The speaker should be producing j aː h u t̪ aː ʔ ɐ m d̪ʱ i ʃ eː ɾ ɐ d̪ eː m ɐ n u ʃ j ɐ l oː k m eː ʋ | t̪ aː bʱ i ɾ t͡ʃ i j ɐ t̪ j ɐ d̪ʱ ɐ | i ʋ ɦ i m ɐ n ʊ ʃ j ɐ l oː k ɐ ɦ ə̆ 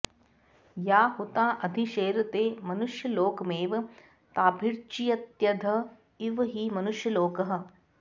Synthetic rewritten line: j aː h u t̪ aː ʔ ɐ d̪ʱ i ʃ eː ɾ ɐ t̪ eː m ɐ n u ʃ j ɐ l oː k m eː ʋ | t̪ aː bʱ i ɾ t͡ʃ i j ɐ t̪ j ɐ d̪ʱ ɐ | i ʋ ɦ i m ɐ n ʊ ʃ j ɐ l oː k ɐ ɦ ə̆